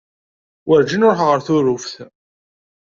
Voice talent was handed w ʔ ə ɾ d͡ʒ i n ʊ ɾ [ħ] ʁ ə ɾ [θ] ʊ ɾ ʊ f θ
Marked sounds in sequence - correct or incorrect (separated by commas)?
correct, correct